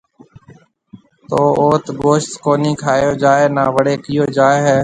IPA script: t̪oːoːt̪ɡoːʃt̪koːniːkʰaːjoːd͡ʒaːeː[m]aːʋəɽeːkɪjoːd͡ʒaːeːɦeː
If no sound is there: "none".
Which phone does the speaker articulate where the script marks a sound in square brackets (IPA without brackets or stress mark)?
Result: n